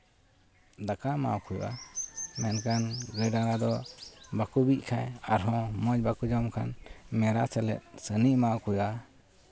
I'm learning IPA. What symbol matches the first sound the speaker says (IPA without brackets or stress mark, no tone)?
d̪